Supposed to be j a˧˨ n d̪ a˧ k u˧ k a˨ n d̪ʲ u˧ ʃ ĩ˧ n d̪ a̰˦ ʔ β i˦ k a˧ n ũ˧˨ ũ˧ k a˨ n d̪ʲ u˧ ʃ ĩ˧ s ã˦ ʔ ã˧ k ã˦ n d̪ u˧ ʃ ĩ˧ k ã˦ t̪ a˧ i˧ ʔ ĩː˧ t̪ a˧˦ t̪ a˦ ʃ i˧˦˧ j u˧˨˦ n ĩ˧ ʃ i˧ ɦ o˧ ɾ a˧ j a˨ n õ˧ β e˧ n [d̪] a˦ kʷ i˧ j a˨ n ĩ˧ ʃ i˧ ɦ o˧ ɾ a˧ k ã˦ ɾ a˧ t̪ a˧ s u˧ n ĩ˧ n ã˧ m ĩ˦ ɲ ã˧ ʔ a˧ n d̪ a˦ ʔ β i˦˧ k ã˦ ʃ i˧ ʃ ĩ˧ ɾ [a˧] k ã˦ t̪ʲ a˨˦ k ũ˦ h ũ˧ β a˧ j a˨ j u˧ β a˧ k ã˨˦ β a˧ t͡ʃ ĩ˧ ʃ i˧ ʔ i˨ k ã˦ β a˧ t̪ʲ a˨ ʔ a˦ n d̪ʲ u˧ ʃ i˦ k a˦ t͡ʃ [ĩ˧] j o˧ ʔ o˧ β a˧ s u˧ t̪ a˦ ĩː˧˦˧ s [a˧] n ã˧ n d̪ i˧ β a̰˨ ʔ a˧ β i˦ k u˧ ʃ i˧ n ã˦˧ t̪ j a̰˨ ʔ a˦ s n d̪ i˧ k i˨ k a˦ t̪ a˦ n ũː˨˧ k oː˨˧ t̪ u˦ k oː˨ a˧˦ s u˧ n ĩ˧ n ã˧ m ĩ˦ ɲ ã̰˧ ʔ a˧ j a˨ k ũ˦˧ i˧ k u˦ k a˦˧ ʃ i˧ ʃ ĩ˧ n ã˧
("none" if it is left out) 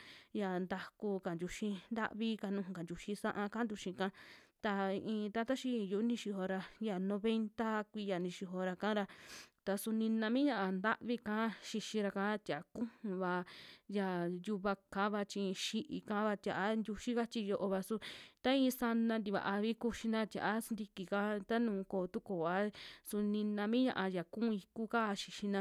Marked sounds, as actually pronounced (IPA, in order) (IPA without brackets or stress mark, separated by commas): t̪, a˧, i˧, a˧